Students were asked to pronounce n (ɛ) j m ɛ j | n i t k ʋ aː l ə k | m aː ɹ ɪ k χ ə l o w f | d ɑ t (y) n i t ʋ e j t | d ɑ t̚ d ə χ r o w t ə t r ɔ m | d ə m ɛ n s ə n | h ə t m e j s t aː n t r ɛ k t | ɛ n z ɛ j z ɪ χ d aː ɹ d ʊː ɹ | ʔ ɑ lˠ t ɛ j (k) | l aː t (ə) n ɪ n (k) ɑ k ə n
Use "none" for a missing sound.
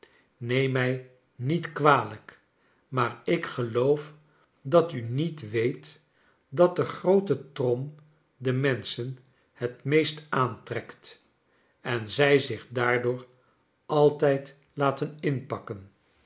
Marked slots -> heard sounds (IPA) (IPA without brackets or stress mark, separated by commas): e, y, t, ə, p